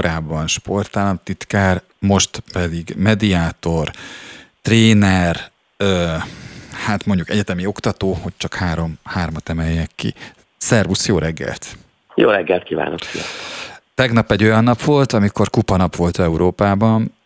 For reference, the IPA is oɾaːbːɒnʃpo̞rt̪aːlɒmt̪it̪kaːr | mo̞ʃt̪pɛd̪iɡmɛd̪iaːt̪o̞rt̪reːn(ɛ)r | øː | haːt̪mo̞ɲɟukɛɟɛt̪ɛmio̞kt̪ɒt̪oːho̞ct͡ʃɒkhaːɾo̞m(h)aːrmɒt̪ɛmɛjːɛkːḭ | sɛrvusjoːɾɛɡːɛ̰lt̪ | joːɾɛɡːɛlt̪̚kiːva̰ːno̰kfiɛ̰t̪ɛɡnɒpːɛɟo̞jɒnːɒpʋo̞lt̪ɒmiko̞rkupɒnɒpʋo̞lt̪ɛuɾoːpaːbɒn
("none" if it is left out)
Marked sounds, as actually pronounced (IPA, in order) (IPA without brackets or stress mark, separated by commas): ɛ, h